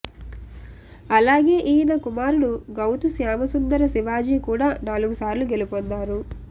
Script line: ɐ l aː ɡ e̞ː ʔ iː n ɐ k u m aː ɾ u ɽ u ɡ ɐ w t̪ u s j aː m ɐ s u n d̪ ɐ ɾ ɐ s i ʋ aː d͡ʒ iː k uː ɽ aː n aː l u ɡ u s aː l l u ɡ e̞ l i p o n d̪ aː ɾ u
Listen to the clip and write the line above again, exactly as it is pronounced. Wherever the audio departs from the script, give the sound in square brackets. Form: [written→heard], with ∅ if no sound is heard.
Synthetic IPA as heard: ɐ l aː ɡ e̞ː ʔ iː n ɐ k u m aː ɾ u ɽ u ɡ ɐ w t̪ u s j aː m ɐ s u n d̪ ɐ ɾ ɐ s i ʋ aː d͡ʒ iː k uː ɽ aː n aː l u ɡ u s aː [l→ɾ] l u ɡ e̞ l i p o n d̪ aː ɾ u